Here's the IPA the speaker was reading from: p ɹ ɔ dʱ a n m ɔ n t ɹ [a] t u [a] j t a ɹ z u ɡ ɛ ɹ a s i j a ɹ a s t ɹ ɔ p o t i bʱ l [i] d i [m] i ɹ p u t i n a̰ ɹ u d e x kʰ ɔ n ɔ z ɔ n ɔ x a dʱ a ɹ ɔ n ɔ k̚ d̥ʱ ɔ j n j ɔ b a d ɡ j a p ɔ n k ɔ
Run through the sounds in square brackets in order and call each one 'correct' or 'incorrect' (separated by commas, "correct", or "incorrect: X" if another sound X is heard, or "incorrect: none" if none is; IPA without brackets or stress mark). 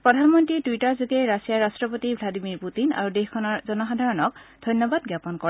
incorrect: i, incorrect: i, incorrect: a, correct